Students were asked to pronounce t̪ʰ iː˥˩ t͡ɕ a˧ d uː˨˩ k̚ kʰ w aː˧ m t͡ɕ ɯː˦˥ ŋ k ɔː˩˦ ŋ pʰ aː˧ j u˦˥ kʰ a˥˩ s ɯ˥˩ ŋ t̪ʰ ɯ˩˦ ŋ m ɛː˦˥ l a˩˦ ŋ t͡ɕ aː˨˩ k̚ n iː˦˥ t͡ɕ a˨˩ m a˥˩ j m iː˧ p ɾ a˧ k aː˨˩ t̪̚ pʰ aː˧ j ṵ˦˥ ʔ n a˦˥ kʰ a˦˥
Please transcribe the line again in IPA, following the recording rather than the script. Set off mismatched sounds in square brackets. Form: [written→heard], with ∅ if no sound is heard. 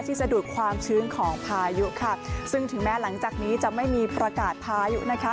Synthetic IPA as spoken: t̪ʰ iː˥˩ t͡ɕ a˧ d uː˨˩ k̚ kʰ w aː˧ m [t͡ɕ→t͡ɕʰ] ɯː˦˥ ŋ [k→kʰ] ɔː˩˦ ŋ pʰ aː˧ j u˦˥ kʰ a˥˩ s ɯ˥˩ ŋ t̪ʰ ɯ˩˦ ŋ m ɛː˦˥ l a˩˦ ŋ t͡ɕ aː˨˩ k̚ n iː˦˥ t͡ɕ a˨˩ m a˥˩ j m iː˧ p ɾ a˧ k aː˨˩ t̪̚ pʰ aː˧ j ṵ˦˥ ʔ n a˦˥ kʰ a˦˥

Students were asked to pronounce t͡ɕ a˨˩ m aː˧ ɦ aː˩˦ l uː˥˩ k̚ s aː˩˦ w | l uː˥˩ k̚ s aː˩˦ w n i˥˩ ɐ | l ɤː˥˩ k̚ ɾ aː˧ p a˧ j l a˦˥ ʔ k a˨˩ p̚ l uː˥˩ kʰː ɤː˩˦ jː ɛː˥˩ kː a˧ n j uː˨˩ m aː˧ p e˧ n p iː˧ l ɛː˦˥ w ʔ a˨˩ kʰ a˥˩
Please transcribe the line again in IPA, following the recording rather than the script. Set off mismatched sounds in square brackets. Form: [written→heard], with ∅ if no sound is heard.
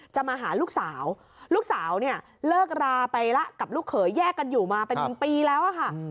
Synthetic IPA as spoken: t͡ɕ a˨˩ m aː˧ ɦ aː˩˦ l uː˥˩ k̚ s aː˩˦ w | l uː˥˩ k̚ s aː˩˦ w n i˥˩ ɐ | l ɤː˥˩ k̚ ɾ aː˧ p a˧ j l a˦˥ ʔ k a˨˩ p̚ l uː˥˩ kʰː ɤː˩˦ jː ɛː˥˩ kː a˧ n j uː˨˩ m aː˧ p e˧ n p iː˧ l ɛː˦˥ w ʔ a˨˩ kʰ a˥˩

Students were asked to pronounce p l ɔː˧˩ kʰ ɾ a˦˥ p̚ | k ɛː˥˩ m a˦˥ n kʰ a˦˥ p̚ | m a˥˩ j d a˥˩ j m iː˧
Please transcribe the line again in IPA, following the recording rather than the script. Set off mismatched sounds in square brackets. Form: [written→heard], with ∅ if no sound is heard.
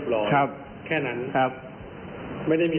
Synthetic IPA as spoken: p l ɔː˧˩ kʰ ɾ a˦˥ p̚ | [k→kʰ] ɛː˥˩ [m→n] a˦˥ n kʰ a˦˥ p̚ | m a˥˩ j d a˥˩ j m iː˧

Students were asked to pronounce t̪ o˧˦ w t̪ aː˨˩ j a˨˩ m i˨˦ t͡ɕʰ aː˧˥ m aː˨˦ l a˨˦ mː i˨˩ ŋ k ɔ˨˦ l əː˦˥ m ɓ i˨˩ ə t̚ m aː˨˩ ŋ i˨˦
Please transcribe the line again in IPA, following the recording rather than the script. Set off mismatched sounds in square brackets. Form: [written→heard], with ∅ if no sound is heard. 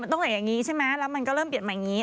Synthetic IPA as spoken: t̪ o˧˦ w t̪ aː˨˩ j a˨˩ [m→ŋ] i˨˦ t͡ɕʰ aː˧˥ m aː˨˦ l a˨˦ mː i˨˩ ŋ k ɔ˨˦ l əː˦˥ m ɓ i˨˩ ə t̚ m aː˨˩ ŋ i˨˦

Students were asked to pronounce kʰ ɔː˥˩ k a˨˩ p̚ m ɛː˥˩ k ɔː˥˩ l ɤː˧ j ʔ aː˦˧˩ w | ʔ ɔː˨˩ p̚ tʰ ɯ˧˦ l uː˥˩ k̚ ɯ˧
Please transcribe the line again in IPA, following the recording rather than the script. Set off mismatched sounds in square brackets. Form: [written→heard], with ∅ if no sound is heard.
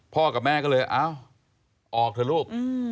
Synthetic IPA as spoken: [kʰ→pʰ] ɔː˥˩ k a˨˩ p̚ m ɛː˥˩ k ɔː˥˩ l ɤː˧ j ʔ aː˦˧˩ w | ʔ ɔː˨˩ [p̚→k̚] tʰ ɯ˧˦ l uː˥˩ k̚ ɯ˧

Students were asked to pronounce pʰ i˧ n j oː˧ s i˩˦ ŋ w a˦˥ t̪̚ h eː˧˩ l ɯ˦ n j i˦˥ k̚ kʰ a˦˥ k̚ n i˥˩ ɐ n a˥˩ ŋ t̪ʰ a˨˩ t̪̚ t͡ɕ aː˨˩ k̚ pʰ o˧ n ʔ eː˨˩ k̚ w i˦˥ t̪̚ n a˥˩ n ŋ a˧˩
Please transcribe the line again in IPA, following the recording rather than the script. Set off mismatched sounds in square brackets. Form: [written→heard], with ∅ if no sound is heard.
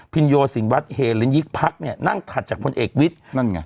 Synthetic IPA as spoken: pʰ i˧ n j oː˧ s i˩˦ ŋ w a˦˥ t̪̚ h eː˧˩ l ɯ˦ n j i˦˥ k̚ [kʰ→pʰ] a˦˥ k̚ n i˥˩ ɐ n a˥˩ ŋ t̪ʰ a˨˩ t̪̚ t͡ɕ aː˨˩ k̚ pʰ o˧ n ʔ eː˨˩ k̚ w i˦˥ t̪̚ n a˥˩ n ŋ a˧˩

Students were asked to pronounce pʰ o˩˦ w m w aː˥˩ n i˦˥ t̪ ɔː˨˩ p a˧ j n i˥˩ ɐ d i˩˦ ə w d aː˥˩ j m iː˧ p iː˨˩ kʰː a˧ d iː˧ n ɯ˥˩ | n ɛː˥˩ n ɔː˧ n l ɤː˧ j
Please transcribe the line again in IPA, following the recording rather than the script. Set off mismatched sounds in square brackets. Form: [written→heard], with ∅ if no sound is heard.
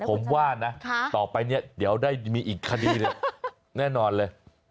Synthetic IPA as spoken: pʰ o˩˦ [w→∅] m w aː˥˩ n [i˦˥→a˦˥] t̪ ɔː˨˩ p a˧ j n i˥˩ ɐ d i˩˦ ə w d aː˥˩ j m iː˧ [p→ʔ] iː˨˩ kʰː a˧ d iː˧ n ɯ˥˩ | n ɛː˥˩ n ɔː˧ n l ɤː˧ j

